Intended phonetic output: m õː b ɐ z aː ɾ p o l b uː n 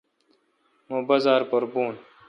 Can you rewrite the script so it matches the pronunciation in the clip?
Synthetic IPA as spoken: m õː b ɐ z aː ɾ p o ɾ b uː n